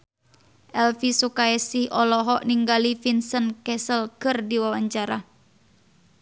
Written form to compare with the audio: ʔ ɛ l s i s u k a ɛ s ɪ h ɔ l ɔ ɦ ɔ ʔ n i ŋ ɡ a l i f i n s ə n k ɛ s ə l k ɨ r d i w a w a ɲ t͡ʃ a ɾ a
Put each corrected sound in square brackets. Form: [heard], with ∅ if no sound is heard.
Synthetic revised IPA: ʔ ɛ l [f] i s u k a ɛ s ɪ h ɔ l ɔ ɦ ɔ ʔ n i ŋ ɡ a l i f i n s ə n k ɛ s ə l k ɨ r d i w a w a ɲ t͡ʃ a ɾ a